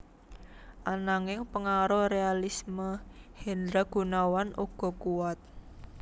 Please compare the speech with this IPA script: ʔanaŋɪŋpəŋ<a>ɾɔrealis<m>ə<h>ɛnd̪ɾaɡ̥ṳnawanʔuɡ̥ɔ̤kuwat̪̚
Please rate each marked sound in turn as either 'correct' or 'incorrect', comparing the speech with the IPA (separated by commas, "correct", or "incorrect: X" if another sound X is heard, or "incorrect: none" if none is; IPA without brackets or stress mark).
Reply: correct, correct, correct